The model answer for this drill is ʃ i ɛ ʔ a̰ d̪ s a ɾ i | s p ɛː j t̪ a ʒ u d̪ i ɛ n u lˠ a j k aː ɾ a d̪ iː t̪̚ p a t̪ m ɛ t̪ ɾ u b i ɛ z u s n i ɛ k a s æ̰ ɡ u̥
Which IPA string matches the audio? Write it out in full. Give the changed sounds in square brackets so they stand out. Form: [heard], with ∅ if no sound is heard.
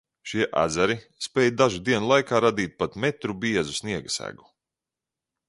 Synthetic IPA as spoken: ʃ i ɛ ʔ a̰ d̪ [z] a ɾ i | s p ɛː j [d̪] a ʒ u d̪ i ɛ n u lˠ a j k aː ɾ a d̪ iː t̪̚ p a t̪ m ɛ t̪ ɾ u b i ɛ z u s n i ɛ [ɡ] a s æ̰ ɡ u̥